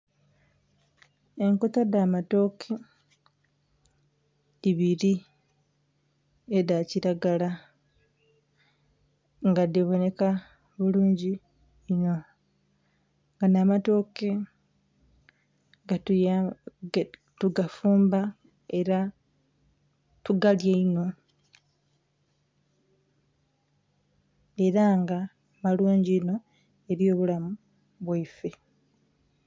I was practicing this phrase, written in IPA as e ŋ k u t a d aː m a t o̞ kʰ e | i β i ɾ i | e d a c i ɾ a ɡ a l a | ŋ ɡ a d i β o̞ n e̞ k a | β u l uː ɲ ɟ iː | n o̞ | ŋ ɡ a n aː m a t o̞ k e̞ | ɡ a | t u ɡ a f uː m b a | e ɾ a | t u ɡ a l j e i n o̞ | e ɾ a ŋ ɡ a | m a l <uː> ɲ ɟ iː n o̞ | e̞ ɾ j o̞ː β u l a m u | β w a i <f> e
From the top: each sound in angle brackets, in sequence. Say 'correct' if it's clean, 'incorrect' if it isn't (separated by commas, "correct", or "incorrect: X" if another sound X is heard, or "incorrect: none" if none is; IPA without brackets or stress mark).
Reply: correct, correct